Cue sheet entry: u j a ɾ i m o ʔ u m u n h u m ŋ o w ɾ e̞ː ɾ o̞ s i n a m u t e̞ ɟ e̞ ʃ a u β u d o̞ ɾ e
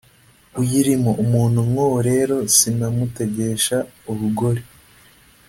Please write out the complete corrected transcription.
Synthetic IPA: u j i ɾ i m o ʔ u m uː n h u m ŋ o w ɾ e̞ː ɾ o̞ s i n a m u t e̞ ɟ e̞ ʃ a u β u ɡ o̞ ɾ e